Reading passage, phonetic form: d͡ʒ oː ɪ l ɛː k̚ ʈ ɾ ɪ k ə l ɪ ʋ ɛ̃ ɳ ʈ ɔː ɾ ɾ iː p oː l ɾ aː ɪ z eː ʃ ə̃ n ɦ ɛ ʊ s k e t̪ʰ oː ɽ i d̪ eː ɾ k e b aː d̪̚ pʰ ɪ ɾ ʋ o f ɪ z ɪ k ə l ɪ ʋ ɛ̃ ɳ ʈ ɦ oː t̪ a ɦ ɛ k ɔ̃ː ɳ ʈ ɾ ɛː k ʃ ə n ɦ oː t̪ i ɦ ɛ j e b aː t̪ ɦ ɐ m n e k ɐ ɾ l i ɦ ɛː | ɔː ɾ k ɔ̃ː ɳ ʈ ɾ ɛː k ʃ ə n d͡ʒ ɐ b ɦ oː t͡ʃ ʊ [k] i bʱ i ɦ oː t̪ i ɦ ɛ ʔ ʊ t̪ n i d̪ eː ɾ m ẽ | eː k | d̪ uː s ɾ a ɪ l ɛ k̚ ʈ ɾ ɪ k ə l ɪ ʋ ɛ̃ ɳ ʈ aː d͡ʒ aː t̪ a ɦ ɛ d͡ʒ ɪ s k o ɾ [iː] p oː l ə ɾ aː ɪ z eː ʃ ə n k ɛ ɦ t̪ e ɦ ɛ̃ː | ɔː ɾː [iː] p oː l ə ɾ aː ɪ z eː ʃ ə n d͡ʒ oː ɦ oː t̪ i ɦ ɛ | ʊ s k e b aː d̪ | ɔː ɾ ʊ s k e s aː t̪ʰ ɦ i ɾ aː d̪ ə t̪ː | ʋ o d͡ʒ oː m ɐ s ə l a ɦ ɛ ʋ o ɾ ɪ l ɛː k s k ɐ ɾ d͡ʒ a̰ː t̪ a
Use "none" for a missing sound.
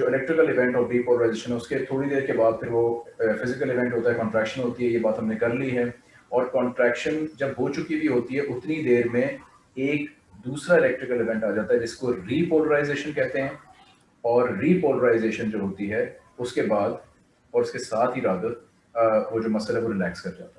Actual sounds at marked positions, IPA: k, iː, iː

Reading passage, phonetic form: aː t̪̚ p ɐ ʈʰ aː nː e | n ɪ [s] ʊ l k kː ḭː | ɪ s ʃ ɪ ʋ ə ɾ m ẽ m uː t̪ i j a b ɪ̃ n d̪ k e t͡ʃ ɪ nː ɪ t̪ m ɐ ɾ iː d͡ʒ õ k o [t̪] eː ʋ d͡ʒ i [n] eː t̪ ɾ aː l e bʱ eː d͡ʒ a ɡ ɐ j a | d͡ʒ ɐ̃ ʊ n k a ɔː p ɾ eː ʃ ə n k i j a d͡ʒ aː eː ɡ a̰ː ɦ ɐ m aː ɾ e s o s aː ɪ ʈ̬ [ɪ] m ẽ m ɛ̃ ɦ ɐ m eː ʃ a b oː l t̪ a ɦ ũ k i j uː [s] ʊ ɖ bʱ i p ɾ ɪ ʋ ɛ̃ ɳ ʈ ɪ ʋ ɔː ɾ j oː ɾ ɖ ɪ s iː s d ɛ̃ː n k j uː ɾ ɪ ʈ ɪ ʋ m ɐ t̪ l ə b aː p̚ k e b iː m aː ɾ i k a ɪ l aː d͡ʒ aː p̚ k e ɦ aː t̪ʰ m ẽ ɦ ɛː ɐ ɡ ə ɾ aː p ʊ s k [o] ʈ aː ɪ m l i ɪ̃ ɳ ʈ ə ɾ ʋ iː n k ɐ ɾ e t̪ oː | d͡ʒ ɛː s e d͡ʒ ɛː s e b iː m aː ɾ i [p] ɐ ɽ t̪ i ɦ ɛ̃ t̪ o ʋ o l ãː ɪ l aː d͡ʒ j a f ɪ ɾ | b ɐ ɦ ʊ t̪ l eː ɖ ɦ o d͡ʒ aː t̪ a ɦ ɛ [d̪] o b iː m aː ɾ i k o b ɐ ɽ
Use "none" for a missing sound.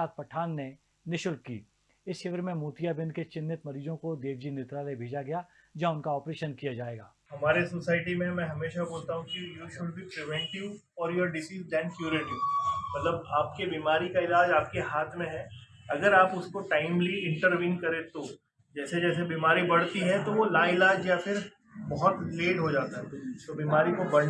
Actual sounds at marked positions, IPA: ʃ, d̪, n, i, ʃ, o, b, t̪

